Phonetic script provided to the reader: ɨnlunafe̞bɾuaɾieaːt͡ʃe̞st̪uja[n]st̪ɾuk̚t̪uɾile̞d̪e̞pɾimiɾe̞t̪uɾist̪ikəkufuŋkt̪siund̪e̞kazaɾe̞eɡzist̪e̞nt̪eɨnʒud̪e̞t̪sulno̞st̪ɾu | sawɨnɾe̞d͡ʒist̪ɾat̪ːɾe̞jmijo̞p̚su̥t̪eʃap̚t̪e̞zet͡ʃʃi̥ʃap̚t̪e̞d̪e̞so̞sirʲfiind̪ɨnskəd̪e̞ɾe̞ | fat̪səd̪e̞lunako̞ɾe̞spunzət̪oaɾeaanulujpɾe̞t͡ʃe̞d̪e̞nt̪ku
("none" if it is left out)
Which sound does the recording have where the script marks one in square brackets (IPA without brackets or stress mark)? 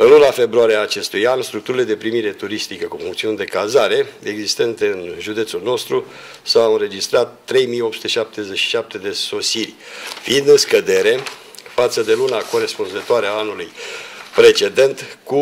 n